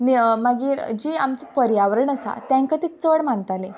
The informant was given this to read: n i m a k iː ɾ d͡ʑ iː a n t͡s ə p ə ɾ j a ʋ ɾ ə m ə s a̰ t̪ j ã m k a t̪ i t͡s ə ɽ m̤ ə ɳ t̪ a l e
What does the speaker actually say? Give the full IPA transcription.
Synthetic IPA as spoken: n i m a ɡ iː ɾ d͡ʑ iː a m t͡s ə p ə ɾ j a ʋ ɾ ə ɳ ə s a̰ t̪ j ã ŋ k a t̪ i t͡s ə ɽ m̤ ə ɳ t̪ a l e